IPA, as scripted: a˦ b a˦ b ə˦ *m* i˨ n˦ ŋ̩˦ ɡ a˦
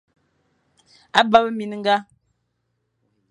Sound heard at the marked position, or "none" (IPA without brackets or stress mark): m